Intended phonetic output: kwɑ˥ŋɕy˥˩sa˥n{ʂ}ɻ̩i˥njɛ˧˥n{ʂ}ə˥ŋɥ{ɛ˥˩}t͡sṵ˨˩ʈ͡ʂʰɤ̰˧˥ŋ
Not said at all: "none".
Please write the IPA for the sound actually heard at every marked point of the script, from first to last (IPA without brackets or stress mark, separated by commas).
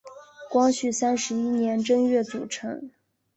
ʂ, ʈ͡ʂ, ɛ˥˩